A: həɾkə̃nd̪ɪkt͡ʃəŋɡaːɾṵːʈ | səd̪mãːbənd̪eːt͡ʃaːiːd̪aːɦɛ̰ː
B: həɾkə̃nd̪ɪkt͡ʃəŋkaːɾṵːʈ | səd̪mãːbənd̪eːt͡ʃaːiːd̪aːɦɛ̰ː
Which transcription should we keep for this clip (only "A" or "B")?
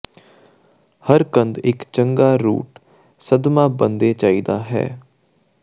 A